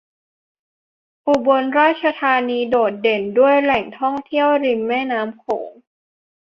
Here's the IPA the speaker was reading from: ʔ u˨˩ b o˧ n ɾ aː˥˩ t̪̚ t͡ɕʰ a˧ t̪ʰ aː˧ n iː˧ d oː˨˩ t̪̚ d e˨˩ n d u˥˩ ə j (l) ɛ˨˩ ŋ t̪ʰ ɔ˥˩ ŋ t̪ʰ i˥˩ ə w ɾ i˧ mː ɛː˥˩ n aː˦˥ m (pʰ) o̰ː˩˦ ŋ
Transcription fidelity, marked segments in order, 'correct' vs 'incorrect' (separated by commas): correct, incorrect